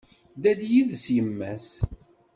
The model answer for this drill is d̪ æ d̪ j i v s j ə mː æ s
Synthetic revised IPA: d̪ æ d̪ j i ð s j ə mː æ s